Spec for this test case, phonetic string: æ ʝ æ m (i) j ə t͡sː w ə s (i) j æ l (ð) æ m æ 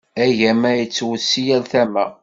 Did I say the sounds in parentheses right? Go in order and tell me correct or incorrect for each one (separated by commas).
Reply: incorrect, correct, incorrect